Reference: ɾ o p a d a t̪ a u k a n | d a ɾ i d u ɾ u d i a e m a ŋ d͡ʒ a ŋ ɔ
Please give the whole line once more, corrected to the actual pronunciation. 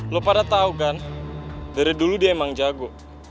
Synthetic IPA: l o p a d a t̪ a u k a n | d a ɾ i d u l u d i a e m a ŋ d͡ʒ a ɡ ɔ